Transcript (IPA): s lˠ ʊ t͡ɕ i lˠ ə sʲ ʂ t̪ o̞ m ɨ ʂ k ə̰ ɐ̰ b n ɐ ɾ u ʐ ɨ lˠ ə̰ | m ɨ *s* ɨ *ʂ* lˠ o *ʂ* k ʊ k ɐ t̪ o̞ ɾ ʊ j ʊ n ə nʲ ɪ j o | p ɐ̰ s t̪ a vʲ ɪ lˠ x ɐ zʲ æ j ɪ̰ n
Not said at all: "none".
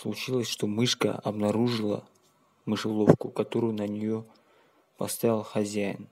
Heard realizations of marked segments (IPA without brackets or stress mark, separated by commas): ʂ, none, f